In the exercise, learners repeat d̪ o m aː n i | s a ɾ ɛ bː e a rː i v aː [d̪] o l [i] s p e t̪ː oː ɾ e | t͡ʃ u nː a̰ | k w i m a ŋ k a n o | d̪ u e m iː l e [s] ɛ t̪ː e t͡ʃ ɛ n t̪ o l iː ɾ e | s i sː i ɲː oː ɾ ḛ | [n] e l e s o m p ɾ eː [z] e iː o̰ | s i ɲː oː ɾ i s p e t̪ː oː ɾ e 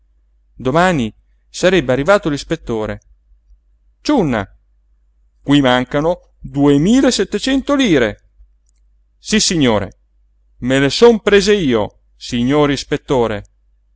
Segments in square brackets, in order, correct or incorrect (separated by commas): incorrect, correct, correct, incorrect, correct